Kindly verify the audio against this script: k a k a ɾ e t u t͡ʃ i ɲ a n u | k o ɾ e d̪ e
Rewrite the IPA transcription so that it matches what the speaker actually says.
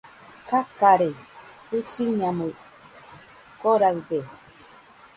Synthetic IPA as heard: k a k a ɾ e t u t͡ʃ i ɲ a m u | k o ɾ a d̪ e